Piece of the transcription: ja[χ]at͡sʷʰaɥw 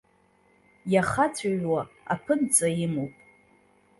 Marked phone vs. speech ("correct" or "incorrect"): correct